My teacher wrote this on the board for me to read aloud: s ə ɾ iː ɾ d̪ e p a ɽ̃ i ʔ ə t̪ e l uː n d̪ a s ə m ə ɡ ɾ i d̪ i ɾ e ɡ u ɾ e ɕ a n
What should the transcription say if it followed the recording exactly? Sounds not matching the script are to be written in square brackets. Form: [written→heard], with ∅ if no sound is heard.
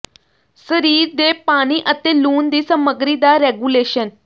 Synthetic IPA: s ə ɾ iː ɾ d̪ e p a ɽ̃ i ʔ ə t̪ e l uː n d̪ [a→i] s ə m ə ɡ ɾ i d̪ [i→a] ɾ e ɡ u [ɾ→l] e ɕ [a→ə] n